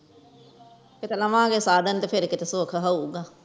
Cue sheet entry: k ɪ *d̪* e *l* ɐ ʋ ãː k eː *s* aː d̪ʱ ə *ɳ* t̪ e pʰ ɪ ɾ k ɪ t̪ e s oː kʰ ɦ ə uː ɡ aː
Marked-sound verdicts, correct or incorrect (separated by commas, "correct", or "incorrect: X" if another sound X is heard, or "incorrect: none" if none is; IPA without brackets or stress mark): incorrect: t̪, correct, correct, incorrect: n